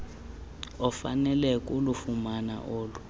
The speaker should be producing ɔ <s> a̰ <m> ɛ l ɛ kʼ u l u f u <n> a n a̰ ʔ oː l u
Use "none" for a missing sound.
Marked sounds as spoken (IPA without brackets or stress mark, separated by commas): f, n, m